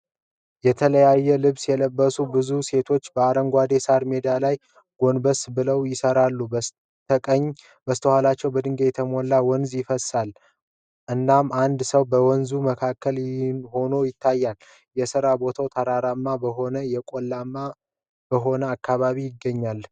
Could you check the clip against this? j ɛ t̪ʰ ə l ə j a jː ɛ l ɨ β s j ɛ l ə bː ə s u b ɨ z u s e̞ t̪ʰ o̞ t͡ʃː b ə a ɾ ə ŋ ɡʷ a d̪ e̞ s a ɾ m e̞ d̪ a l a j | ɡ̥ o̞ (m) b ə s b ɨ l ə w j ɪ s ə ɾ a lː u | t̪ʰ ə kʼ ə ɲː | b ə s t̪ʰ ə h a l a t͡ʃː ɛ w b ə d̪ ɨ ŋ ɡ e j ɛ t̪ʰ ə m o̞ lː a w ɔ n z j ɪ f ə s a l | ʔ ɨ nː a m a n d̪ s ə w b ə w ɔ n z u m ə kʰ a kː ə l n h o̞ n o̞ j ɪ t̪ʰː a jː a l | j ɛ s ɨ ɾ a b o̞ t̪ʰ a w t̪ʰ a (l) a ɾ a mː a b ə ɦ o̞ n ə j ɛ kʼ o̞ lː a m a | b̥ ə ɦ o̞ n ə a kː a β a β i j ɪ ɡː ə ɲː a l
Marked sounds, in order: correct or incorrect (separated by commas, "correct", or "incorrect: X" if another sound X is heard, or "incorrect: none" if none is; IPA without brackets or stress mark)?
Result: incorrect: n, incorrect: ɾ